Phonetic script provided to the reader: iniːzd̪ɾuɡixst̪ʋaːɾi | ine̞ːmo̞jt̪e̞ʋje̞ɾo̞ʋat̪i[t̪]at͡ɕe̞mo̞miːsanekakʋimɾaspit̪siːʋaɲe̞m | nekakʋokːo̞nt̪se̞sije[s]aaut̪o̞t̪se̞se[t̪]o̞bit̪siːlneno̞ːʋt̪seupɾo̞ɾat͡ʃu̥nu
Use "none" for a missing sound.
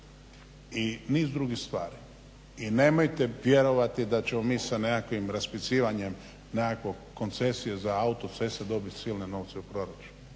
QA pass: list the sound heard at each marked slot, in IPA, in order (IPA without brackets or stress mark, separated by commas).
d̪, z, d̪